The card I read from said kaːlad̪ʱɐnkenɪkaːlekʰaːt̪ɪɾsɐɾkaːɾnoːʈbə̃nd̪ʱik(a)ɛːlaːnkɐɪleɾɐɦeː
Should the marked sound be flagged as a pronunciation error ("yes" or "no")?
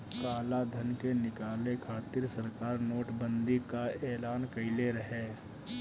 no